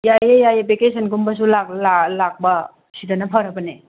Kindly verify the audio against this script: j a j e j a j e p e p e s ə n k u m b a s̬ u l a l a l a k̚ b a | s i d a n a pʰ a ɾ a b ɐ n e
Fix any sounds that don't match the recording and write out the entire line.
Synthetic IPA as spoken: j a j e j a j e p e k e s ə n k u m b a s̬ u l a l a l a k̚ b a | s i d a n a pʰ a ɾ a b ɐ n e